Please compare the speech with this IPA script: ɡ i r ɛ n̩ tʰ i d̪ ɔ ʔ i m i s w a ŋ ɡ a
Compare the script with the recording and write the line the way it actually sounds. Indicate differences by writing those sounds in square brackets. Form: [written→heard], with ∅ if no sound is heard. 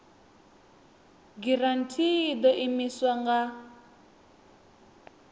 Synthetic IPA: ɡ i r [ɛ→a] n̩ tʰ i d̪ ɔ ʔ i m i s w a ŋ ɡ a